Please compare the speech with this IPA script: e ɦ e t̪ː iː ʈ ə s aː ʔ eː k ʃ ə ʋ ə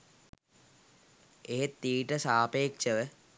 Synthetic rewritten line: e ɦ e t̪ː iː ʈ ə s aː p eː k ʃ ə ʋ ə

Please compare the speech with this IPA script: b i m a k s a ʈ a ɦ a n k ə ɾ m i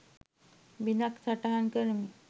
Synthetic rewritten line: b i n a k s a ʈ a ɦ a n k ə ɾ m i

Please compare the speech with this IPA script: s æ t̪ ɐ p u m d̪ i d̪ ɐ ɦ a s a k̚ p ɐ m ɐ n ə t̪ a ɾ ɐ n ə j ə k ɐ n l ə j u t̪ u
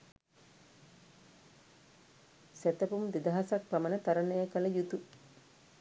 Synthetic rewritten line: s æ t̪ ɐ p u m d̪ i d̪ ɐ ɦ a s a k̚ p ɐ m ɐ n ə t̪ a ɾ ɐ n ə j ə k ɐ l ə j u t̪ u

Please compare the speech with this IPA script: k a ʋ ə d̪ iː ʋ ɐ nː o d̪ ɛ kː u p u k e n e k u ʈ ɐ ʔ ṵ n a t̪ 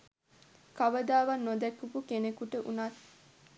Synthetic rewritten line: k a ʋ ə d̪ aː ʋ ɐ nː o d̪ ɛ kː u p u k e n e k u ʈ ə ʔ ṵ n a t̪

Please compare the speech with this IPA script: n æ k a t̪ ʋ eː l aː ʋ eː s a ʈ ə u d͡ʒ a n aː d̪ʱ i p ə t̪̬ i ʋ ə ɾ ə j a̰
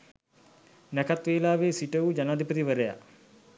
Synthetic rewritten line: n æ k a t̪ ʋ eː l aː ʋ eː s i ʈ ə u d͡ʒ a n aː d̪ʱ i p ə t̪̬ i ʋ ə ɾ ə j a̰

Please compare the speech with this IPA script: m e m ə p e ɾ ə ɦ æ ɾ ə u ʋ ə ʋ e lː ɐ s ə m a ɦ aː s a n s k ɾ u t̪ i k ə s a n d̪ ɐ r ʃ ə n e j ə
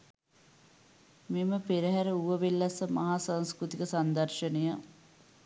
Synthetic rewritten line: m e m ə p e ɾ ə ɦ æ ɾ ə u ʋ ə ʋ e lː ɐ s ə m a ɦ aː s a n s k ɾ u t̪ i k ə s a n d̪ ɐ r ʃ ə n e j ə

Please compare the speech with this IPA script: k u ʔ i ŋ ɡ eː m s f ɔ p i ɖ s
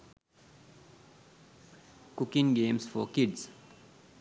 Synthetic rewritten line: k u k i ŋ ɡ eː m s f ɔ k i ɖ s

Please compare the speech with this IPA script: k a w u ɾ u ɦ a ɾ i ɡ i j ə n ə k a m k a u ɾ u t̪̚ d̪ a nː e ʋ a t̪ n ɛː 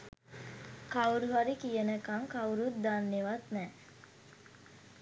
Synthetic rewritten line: k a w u ɾ u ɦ a ɾ i k i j ə n ə k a ŋ k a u ɾ u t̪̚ d̪ a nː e ʋ a t̪ n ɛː

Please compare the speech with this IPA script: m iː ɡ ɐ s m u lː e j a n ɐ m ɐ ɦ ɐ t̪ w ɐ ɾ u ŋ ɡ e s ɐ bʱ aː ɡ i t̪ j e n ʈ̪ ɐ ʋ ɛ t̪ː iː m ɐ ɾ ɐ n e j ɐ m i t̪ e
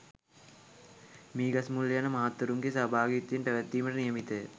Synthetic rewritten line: m iː ɡ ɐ s m u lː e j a n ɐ m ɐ ɦ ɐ t̪ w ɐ ɾ u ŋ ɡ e s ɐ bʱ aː ɡ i t̪ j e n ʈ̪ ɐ ʋ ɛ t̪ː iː m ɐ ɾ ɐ n i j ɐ m i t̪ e

